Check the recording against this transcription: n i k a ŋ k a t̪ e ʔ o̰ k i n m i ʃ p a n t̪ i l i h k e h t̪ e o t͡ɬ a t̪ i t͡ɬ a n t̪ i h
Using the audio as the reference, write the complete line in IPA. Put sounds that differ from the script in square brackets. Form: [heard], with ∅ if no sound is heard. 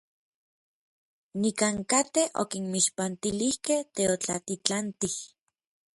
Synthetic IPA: n i k a ŋ k a t̪ e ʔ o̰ k i n m i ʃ p a n t̪ i l i h k e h t̪ e o t͡ɬ a t̪ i t͡ɬ a n t̪ i h

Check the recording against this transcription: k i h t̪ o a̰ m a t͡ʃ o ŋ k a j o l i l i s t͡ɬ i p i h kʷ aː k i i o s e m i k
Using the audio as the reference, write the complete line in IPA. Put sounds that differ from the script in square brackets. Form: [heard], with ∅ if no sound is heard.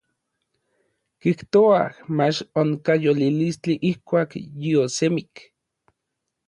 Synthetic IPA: k i h t̪ o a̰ m a t͡ʃ o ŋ k a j o l i l i s t͡ɬ i [ʔ] i h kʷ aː k [j] i o s e m i k

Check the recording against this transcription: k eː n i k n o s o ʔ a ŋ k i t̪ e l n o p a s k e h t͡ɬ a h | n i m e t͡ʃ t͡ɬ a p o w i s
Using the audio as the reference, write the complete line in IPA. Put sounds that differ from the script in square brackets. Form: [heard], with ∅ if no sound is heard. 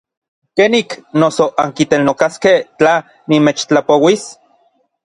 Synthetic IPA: k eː n i k n o s o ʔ a ŋ k i t̪ e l n o [k] a s k e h t͡ɬ a [∅] | n i m e t͡ʃ t͡ɬ a p o w i s

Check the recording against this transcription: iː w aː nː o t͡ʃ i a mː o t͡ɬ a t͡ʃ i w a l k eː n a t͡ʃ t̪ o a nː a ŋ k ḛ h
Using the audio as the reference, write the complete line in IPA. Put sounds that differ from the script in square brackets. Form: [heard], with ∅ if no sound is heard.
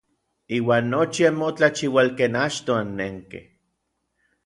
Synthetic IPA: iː w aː nː o t͡ʃ i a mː o t͡ɬ a t͡ʃ i w a l k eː n a t͡ʃ t̪ o a nː [e] ŋ k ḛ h

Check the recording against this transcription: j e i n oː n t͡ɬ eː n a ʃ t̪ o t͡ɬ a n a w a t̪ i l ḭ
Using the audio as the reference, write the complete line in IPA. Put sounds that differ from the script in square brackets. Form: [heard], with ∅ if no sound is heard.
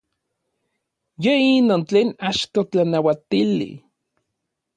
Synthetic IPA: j e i n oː n t͡ɬ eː n a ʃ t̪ o t͡ɬ a n a w a t̪ i l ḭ

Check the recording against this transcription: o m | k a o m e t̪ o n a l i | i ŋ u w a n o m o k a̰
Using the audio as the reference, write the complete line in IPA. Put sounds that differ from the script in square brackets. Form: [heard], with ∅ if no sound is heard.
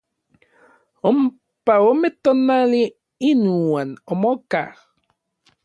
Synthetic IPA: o m | [p] a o m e t̪ o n a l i | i [n] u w a n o m o k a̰

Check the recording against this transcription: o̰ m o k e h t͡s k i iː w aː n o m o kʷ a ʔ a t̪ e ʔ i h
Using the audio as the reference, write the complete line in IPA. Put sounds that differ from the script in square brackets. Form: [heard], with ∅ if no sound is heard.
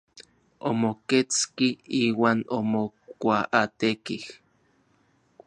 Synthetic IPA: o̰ m o k e [∅] t͡s k i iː w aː n o m o kʷ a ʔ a t̪ e [k] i h

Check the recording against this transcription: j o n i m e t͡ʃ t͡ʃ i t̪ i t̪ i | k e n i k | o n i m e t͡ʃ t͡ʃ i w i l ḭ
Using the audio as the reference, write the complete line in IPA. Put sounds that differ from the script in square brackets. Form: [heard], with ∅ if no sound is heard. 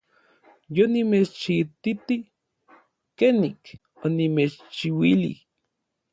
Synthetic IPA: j o n i m e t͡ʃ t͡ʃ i t̪ i t̪ i | k e n i k | o n i m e t͡ʃ t͡ʃ i w i l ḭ

